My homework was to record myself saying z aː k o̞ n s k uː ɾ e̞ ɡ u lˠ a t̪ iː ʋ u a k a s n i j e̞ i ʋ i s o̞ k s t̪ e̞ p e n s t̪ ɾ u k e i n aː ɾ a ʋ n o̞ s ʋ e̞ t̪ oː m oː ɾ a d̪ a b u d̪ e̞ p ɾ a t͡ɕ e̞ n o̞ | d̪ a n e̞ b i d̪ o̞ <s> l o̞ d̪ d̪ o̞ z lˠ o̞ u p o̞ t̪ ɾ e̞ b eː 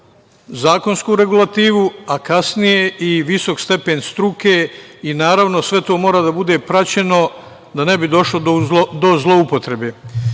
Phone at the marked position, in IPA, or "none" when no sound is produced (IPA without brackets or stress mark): ʃ